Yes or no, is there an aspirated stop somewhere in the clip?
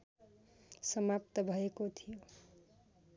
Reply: yes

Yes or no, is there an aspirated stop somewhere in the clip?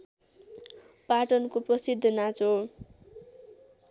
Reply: no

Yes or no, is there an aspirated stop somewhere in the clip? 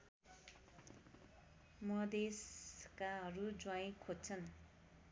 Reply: yes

